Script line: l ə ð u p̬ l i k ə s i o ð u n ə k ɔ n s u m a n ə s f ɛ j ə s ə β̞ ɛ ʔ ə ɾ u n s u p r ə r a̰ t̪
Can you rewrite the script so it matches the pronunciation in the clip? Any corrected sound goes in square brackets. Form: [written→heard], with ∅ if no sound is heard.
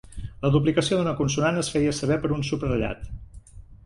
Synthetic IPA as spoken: l ə ð u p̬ l i k ə s i o ð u n ə k [ɔ→u] n s u [m→n] a n ə s f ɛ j ə s ə β̞ ɛ [ʔ→p] ə ɾ u n s u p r ə [r→ʎ] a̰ t̪